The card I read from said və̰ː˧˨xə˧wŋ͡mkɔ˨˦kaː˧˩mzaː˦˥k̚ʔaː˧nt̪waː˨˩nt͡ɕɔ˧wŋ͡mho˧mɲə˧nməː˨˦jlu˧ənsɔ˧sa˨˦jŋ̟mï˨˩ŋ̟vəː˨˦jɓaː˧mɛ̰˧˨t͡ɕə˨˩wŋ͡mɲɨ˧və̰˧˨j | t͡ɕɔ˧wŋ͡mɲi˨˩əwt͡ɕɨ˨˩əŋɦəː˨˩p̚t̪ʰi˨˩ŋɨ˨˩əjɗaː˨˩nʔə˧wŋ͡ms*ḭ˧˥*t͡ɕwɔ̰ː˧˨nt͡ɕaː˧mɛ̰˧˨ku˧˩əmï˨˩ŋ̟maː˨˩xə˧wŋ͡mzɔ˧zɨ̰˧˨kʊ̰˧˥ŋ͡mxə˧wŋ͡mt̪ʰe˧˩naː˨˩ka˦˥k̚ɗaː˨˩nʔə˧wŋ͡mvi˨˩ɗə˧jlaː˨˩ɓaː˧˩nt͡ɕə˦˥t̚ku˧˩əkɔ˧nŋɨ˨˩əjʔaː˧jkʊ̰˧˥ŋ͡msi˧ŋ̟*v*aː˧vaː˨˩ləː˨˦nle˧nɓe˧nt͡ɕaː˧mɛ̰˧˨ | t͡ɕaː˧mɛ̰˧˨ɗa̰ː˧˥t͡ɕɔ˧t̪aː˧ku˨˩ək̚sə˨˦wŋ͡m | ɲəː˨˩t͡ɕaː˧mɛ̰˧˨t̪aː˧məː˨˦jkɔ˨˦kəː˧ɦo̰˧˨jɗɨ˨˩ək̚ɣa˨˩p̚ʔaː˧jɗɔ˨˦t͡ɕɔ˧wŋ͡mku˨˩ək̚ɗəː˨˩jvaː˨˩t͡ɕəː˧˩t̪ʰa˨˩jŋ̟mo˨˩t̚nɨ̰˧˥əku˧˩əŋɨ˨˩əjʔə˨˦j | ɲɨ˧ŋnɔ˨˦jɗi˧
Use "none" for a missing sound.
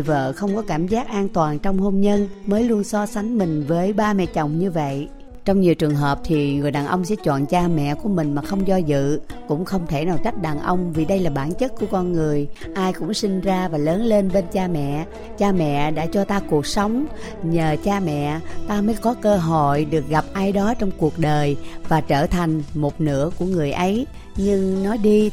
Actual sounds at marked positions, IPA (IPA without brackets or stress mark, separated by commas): ɛ̰˧˥, z